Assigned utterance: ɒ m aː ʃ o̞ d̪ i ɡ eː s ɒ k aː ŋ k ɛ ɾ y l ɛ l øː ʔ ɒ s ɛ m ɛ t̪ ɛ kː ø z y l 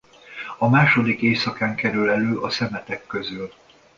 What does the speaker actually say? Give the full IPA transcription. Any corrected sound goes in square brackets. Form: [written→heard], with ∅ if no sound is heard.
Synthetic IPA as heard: ɒ m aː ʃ o̞ d̪ i [ɡ→k] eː s ɒ k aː ŋ k ɛ ɾ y l ɛ l øː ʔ ɒ s ɛ m ɛ t̪ ɛ kː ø z y l